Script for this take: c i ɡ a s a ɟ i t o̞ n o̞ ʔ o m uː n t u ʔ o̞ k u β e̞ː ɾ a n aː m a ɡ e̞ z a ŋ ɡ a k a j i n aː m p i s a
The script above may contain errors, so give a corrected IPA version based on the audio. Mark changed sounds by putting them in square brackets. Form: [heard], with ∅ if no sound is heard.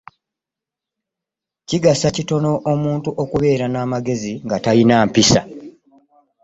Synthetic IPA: c i ɡ a s a [c] i t o̞ n o̞ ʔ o m uː n t u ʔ o̞ k u β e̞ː ɾ a n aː m a ɡ e̞ z [i] ŋ ɡ a [t] a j i n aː m p i s a